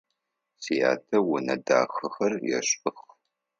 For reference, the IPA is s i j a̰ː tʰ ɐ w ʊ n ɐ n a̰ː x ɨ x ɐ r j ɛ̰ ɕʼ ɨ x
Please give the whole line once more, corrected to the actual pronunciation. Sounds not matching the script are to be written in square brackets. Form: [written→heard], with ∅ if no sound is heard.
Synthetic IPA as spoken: s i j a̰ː tʰ ɐ w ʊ n ɐ [n→d] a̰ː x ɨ x ɐ r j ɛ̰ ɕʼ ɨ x